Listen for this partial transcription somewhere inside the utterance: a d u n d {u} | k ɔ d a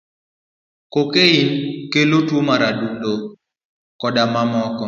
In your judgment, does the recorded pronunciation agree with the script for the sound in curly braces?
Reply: no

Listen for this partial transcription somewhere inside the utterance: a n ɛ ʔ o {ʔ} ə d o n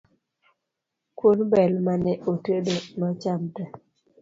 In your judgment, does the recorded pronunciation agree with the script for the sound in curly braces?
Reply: no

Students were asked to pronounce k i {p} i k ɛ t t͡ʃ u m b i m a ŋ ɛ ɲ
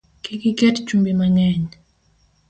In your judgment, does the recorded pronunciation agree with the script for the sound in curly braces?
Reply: no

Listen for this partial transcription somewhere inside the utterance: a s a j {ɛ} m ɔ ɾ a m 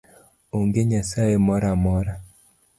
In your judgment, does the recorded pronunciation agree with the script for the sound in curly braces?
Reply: no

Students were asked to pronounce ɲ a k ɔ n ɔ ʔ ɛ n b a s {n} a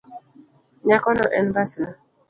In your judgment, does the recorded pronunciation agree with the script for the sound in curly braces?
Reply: yes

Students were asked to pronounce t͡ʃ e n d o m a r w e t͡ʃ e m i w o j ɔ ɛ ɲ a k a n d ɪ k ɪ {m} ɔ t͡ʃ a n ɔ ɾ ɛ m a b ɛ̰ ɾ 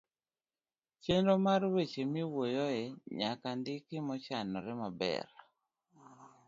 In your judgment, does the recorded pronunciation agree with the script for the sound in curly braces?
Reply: yes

